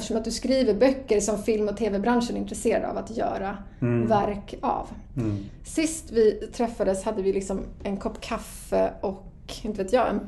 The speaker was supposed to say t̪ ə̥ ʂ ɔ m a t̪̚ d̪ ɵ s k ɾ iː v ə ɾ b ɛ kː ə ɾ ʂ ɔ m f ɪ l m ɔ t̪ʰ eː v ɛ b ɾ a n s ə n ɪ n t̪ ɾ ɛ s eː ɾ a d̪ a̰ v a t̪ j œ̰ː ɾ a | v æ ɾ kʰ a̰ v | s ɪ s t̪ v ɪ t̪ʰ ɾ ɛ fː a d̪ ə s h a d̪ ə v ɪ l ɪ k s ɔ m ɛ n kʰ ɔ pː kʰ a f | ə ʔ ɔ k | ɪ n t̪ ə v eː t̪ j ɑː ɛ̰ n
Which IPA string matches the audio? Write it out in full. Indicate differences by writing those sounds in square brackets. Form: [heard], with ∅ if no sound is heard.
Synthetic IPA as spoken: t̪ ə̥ ʂ ɔ m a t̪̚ d̪ ɵ s k ɾ iː v ə ɾ b [œ] kː ə ɾ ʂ ɔ m f ɪ l m ɔ t̪ʰ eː v ɛ b ɾ a n [ʂ] ə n ɪ n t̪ ɾ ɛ s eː ɾ a d̪ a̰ v a t̪ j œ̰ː ɾ a | v æ ɾ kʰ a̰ v | s ɪ s t̪ v ɪ t̪ʰ ɾ ɛ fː a d̪ ə s h a [d̪ː] ə v ɪ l ɪ k s ɔ m ɛ n kʰ ɔ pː kʰ a f | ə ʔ ɔ k | ɪ n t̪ ə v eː t̪ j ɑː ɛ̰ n